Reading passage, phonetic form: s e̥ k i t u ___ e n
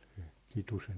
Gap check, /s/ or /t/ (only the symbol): s